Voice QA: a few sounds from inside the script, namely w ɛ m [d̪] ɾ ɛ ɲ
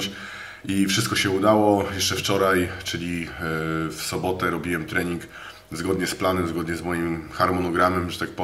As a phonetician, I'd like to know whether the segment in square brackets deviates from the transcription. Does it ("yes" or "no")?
yes